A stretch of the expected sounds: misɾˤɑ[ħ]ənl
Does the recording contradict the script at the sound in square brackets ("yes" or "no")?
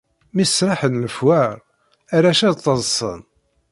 no